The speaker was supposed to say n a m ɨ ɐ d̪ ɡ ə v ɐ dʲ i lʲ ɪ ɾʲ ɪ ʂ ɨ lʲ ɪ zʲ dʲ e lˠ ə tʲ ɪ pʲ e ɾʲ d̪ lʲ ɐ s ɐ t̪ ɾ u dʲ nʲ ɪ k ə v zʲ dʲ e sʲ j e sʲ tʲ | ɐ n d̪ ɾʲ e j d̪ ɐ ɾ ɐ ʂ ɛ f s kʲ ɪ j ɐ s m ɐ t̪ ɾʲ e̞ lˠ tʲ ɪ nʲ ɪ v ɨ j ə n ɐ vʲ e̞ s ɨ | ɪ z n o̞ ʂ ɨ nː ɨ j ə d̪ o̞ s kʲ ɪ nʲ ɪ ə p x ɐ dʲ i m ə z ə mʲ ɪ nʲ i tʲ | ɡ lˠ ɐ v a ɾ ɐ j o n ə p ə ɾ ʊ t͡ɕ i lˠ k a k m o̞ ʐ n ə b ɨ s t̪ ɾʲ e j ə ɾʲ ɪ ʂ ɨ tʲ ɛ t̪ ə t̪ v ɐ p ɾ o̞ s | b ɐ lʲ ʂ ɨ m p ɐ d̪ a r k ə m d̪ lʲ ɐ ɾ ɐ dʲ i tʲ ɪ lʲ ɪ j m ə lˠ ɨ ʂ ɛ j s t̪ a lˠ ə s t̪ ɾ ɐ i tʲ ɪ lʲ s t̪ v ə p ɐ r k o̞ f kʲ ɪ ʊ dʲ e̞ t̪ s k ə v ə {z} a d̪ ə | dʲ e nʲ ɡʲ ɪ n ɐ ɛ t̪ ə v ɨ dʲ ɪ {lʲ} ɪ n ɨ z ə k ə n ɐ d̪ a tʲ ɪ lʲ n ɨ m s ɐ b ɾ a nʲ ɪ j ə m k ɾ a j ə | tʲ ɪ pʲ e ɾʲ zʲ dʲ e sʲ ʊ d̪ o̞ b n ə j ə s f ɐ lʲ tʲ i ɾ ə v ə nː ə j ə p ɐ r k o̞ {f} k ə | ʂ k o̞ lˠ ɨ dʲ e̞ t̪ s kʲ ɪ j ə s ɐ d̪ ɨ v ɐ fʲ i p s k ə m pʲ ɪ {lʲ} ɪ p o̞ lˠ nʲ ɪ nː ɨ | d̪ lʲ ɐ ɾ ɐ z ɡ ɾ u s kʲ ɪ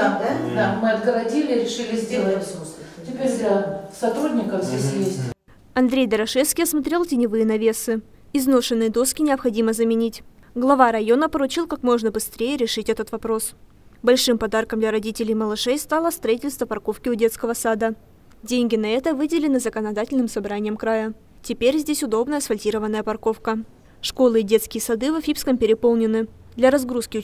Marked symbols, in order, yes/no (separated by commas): no, yes, yes, no